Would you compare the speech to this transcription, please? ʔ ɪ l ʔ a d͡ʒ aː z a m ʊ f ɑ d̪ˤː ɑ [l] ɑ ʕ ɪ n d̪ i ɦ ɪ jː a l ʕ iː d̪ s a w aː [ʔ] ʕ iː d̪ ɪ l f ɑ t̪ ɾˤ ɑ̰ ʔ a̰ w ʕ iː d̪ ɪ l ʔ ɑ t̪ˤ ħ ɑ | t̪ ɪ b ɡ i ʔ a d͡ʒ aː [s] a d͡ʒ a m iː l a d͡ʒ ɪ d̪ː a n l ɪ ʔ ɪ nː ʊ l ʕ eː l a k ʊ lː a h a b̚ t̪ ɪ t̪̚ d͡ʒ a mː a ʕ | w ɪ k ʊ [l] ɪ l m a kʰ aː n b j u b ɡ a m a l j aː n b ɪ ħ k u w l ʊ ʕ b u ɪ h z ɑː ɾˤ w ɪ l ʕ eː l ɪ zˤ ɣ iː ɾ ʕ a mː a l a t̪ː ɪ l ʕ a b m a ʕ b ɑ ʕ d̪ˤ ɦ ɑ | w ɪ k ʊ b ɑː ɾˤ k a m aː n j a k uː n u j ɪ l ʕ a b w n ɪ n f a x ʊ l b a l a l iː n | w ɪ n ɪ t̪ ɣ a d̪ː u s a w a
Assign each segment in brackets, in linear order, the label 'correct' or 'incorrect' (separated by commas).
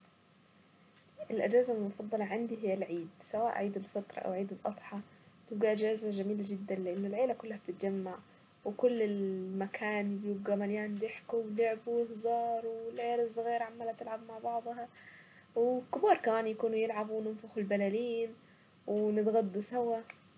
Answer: correct, correct, incorrect, incorrect